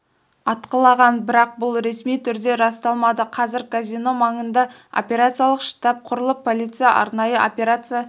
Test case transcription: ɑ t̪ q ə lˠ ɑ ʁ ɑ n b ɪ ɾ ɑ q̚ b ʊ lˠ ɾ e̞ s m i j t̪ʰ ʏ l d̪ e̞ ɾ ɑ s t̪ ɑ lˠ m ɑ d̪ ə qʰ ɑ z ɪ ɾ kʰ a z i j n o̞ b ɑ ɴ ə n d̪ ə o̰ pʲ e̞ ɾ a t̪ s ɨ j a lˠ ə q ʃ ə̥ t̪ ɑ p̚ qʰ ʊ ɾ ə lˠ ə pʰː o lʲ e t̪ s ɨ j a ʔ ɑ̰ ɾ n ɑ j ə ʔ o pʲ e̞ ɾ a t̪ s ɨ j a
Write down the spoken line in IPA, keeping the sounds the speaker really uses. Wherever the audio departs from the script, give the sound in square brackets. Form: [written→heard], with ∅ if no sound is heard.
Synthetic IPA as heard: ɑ t̪ q ə lˠ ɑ ʁ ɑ n b ɪ ɾ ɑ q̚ b ʊ lˠ ɾ e̞ s m i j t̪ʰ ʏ [l→ɾ] d̪ e̞ ɾ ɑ s t̪ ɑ lˠ m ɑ d̪ ə qʰ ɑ z ɪ ɾ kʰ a z i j n o̞ [b→m] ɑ ɴ ə n d̪ [ə→ɑ] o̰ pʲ e̞ ɾ a t̪ s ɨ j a lˠ ə q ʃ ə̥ t̪ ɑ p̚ qʰ ʊ ɾ ə lˠ ə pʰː o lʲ [e→i] t̪ s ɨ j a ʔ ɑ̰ ɾ n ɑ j ə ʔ o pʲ e̞ ɾ a t̪ s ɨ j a